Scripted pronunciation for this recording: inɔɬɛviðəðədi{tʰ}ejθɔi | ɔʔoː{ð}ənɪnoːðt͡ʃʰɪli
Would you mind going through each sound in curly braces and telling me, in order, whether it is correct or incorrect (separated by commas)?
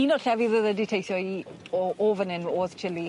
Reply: correct, incorrect